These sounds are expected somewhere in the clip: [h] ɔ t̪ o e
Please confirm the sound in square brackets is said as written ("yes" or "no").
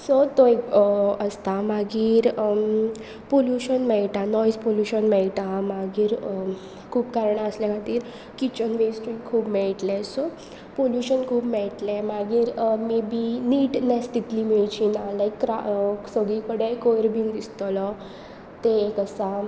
no